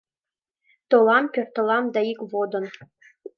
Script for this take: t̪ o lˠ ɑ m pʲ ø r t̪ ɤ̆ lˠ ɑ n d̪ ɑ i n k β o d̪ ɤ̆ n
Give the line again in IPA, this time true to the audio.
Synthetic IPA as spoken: t̪ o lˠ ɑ m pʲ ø r t̪ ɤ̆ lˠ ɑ m d̪ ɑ i k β o d̪ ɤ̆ n